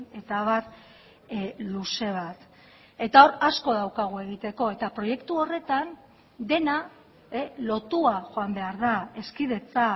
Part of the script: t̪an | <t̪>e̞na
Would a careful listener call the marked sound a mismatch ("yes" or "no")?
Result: yes